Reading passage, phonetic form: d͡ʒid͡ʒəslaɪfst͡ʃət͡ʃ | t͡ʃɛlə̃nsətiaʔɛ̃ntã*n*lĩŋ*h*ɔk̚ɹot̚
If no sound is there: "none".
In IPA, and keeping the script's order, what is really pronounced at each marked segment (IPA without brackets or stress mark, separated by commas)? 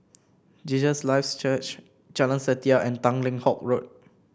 ŋ, h